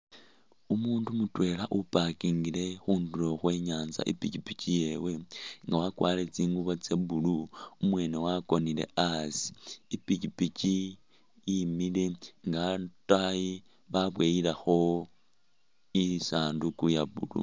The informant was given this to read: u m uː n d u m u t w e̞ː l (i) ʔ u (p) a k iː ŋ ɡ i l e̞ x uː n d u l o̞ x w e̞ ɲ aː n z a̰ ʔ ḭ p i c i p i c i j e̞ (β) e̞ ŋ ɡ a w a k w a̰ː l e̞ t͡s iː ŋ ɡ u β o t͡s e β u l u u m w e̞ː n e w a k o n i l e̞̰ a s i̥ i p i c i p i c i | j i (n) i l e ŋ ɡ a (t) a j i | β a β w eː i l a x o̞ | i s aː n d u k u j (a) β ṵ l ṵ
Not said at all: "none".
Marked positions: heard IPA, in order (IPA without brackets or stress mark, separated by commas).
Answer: a, p, w, m, t, a